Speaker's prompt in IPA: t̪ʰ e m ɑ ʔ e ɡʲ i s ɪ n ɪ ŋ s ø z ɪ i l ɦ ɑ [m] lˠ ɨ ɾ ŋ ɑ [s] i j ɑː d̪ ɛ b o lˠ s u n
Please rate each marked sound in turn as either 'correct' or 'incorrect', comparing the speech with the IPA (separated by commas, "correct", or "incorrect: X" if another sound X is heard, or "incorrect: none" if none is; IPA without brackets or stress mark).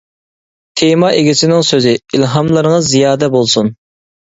correct, incorrect: z